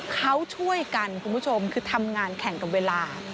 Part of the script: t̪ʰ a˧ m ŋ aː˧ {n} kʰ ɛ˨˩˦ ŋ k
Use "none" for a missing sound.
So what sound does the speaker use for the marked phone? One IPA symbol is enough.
n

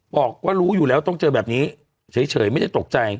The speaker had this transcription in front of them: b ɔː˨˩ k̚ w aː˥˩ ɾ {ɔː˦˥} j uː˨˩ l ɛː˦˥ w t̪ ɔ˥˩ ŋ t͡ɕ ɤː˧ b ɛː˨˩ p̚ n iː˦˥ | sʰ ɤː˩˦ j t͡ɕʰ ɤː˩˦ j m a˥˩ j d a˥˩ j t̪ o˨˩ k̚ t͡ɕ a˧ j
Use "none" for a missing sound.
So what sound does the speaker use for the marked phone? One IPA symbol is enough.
uː˦˥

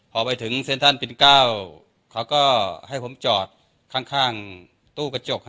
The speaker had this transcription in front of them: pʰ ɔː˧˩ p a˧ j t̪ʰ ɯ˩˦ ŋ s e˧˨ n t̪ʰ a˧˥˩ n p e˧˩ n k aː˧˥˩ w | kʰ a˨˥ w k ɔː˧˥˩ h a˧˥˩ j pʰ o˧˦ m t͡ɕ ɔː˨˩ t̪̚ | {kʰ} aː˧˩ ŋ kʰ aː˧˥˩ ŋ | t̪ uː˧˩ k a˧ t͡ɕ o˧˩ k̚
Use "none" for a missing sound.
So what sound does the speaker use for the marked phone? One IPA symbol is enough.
kʰ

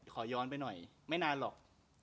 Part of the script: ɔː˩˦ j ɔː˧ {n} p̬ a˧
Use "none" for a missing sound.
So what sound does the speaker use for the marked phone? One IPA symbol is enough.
n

